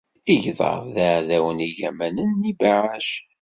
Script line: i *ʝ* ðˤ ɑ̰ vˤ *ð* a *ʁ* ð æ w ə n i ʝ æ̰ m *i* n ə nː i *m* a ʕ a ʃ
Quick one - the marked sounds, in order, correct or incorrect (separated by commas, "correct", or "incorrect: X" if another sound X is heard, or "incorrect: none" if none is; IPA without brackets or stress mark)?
correct, correct, incorrect: ʕ, incorrect: æ, incorrect: b